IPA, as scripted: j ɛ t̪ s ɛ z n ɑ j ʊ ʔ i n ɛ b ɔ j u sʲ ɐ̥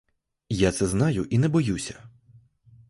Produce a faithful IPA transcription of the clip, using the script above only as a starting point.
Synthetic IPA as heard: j a t̪ s ɛ z n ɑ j ʊ ʔ i n ɛ b ɔ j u sʲ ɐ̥